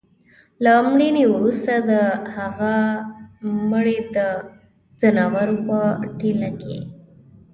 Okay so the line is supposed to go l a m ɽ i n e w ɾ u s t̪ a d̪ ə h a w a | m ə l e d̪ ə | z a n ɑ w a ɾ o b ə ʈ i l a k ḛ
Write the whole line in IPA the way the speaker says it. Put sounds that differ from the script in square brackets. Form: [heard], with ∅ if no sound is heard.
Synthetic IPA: l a m ɽ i n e w ɾ u s t̪ a d̪ ə h a [ɣ] a | m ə [ɽ] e d̪ ə | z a n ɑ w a ɾ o [p] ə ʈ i l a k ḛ